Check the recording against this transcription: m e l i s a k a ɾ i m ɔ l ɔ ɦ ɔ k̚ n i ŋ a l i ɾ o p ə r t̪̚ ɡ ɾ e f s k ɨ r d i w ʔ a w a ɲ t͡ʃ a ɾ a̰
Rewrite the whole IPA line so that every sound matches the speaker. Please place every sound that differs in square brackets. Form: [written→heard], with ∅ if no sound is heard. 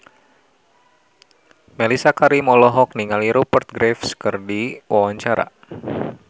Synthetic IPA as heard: m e l i s a k a ɾ i m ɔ l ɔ ɦ ɔ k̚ n i ŋ a l i ɾ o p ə r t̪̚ ɡ ɾ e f s k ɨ r d i w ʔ a w a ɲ t͡ʃ a ɾ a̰